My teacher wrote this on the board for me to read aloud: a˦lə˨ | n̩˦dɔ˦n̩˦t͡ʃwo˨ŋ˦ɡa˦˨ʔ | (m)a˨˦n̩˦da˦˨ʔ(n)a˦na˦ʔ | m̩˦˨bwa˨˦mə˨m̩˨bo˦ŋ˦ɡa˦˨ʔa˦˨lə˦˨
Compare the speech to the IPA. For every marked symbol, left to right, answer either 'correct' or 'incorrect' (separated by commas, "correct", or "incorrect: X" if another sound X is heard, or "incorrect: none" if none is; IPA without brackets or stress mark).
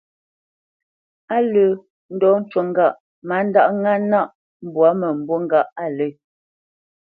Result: correct, incorrect: ŋ